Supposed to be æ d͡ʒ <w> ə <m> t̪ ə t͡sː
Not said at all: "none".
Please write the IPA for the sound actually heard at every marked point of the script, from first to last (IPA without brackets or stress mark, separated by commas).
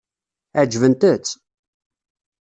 v, n